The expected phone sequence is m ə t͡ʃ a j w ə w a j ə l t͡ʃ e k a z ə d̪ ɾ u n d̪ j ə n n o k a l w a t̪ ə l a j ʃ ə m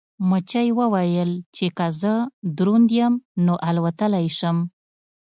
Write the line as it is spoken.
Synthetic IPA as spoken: m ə t͡ʃ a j w ə w a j ə l t͡ʃ e k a z ə d̪ ɾ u n d̪ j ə m n o ʔ a l w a t̪ ə l a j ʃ ə m